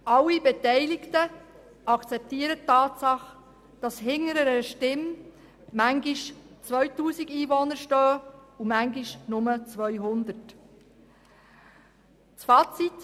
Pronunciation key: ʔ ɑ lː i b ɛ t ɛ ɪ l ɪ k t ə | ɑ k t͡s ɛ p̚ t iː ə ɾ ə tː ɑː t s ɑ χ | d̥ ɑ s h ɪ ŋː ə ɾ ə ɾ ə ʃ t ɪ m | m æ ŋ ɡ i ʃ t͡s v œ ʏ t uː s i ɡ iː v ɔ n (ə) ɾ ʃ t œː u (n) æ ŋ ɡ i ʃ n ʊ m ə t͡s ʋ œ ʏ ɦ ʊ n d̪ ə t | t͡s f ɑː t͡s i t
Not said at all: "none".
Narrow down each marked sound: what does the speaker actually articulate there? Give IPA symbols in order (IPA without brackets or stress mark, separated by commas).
ə, m